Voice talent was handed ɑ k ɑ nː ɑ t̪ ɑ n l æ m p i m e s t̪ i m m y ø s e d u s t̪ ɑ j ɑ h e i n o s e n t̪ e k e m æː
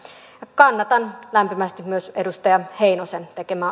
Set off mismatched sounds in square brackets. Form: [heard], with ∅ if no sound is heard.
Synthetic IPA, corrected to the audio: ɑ k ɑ nː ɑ t̪ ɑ n l æ m p i m [æ] s t̪ i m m y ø s e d u s t̪ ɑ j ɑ h e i n o s e n t̪ e k e m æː

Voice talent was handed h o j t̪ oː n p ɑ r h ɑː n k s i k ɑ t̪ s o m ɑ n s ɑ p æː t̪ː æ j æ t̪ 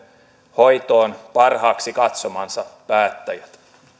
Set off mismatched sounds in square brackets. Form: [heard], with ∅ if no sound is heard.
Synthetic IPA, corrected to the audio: h o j t̪ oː n p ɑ r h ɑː [∅] k s i k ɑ t̪ s o m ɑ n s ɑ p æː t̪ː æ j æ t̪

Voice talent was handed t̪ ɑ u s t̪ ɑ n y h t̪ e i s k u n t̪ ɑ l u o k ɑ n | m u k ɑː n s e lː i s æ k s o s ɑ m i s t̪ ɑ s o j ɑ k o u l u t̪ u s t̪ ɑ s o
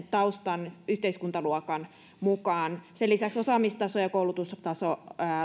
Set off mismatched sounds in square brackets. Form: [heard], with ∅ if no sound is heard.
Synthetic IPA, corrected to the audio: t̪ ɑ u s t̪ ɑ n y h t̪ e i s k u n t̪ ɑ l u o k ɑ n | m u k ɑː n s e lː i s æ k s o s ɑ m i s t̪ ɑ s o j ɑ k o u l u t̪ u s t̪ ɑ s o

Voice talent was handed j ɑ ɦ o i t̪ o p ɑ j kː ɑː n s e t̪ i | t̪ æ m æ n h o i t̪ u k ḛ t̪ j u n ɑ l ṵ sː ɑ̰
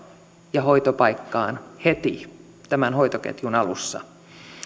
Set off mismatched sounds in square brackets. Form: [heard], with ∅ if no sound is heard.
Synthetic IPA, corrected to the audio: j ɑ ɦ o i t̪ o p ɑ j kː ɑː n [h] e t̪ i | t̪ æ m æ n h o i t̪ [o] k ḛ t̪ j u n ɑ l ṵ sː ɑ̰

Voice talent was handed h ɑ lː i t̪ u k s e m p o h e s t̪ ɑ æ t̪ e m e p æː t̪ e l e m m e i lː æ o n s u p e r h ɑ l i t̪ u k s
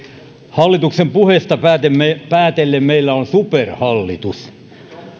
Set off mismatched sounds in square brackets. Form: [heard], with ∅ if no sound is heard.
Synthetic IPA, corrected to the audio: h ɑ lː i t̪ u k s e m p [u] h e s t̪ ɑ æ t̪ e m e p æː t̪ e [lː] e m m e i lː æ o n s u p e r h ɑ [lː] i t̪ u [∅] s

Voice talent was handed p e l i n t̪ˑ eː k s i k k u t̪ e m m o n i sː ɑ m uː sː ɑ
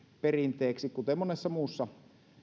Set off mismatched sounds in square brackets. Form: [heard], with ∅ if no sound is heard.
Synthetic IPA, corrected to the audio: p e [r] i n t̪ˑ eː k s i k k u t̪ e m m o n [e] sː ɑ m uː sː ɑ

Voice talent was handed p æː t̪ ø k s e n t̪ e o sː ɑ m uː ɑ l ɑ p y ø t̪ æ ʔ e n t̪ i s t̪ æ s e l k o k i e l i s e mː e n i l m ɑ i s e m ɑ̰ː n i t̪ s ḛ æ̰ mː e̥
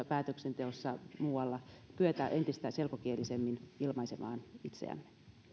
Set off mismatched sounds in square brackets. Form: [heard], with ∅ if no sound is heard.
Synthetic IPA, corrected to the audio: p æː t̪ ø k s e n t̪ e o sː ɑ m uː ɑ [lː] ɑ p y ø t̪ æ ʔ e n t̪ i s t̪ æ s e l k o k i e l i s e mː [i] n i l m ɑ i s e m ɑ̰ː n i t̪ s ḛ æ̰ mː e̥

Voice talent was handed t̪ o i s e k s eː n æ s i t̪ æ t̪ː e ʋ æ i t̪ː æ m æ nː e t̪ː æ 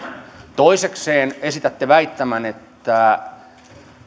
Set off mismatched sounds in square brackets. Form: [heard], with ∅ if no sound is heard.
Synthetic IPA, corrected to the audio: t̪ o i s e k s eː n [e] s i t̪ æ t̪ː e ʋ æ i t̪ː æ m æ [n] e t̪ː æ

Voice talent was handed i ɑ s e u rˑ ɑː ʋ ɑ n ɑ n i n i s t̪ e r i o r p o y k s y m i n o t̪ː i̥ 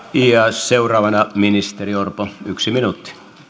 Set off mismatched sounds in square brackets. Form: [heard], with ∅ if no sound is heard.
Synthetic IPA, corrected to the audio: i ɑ s e u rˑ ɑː ʋ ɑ n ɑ [m] i n i s t̪ e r i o r p o y k s [i] m i n [u] t̪ː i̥

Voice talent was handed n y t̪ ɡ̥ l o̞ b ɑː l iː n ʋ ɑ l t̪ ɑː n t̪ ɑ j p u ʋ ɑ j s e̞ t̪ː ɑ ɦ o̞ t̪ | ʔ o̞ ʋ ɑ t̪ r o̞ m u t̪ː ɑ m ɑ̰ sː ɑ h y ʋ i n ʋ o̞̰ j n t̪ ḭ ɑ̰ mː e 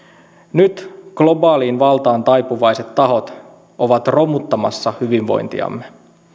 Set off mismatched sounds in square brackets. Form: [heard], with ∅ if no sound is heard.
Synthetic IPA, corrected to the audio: n y t̪ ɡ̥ l o̞ b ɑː l iː n ʋ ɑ l t̪ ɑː n t̪ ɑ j p u ʋ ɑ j s e̞ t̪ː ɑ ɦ o̞ t̪ | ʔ o̞ ʋ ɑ t̪ r o̞ m u t̪ː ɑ m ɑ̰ sː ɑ h y ʋ i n ʋ o̞̰ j n t̪ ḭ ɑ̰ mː e

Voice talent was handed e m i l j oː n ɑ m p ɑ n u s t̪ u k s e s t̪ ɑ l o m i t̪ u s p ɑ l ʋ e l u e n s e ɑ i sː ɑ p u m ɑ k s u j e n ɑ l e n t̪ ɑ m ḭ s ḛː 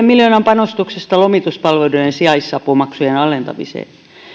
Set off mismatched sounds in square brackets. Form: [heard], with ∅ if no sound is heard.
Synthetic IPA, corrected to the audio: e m i l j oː n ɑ m p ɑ n [o] s t̪ u k s e s t̪ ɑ l o m i t̪ u s p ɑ l ʋ e l u e n s [i] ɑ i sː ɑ p u m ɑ k s u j e n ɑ l e n t̪ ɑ m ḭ s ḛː

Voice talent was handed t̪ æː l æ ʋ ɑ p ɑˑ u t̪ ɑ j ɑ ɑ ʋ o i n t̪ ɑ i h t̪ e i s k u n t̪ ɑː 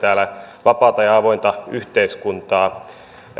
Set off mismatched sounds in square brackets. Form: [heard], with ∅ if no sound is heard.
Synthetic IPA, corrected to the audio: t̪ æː l æ ʋ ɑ p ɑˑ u t̪ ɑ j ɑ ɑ ʋ o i n t̪ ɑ [y] h t̪ e i s k u n t̪ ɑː

